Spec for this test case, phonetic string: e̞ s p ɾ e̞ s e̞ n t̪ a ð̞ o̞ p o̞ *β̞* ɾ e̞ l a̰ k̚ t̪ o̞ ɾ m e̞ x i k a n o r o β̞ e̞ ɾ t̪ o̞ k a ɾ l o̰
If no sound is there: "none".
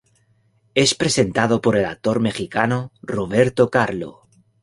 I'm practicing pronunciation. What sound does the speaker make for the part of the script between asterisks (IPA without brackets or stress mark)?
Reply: none